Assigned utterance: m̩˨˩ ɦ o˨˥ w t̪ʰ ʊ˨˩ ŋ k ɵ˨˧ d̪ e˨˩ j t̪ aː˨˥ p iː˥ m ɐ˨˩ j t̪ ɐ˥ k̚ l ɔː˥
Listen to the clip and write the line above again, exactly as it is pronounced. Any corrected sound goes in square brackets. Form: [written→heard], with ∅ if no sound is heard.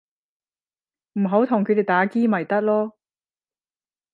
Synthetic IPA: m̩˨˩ ɦ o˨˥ w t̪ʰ ʊ˨˩ ŋ [k→kʰ] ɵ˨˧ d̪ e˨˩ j t̪ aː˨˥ [p→k] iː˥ m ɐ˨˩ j t̪ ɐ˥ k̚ l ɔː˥